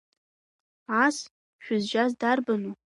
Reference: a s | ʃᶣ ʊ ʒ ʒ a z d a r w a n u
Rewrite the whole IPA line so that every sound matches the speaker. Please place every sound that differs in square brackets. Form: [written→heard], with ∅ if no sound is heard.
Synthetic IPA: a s | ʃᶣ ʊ [ʒ→z] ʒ a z d a r [w→b] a n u